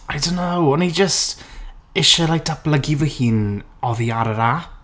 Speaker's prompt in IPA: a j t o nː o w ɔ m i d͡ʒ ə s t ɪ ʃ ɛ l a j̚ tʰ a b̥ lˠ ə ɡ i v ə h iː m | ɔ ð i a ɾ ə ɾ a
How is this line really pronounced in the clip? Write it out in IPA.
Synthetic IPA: a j d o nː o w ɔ n i d͡ʒ ə s t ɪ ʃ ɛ l a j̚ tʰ a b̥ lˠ ə ɡ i v ə h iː n | ɔ ð i a ɾ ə ɾ a